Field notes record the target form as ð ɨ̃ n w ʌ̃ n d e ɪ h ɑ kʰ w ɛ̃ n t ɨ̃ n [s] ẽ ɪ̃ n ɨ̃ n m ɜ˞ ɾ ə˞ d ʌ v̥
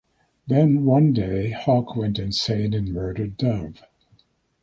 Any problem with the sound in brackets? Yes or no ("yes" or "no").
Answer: no